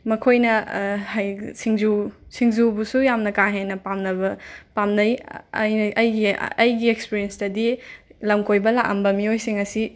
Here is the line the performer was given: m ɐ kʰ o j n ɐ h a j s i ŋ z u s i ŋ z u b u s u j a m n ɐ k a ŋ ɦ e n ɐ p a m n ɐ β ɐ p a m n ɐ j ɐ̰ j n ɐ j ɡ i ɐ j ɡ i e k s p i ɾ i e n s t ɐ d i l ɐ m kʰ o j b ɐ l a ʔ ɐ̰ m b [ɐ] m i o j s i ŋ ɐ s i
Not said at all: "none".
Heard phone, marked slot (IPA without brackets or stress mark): ɐ